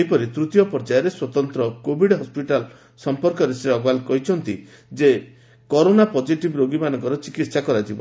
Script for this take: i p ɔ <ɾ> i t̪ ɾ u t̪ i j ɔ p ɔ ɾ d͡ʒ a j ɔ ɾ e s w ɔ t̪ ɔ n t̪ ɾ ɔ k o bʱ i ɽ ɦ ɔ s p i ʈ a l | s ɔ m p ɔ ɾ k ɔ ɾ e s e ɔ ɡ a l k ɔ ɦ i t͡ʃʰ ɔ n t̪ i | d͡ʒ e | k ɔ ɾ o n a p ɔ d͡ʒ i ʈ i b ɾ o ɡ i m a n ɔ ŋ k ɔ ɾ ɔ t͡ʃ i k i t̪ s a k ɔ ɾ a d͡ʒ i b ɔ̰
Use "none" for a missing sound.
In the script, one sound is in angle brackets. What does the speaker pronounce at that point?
ɾ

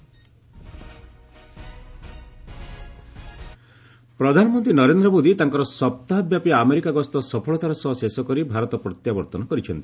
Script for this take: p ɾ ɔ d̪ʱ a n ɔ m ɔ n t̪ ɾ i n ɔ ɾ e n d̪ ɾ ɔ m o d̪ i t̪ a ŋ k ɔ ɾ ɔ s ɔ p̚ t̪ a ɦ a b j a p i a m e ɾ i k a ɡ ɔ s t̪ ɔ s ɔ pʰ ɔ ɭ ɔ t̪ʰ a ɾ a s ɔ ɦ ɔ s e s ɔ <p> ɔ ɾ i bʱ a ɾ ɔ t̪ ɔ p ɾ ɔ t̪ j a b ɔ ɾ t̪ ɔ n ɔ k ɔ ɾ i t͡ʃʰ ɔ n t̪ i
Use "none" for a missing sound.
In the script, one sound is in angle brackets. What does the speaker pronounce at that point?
k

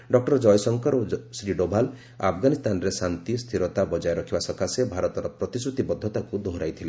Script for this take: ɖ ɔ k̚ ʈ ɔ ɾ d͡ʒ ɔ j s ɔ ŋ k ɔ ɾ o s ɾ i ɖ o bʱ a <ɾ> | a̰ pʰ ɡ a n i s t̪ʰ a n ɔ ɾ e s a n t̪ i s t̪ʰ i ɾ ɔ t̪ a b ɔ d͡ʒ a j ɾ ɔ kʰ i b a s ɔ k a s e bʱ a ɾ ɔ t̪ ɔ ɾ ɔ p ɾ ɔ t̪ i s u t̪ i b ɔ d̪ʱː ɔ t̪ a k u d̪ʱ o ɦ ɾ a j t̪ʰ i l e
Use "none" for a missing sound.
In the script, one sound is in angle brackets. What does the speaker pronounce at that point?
l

